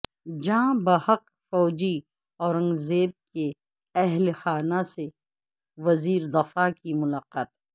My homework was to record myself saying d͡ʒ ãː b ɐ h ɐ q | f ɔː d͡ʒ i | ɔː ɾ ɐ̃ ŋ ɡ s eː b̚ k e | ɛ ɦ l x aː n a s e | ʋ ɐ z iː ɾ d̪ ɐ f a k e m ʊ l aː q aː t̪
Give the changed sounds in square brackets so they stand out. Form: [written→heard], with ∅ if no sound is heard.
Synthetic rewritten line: d͡ʒ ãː b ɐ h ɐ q | f ɔː d͡ʒ i | ɔː ɾ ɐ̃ ŋ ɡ [s→z] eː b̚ k e | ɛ ɦ l x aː n a s e | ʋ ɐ z iː ɾ d̪ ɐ f a k [e→i] m ʊ l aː q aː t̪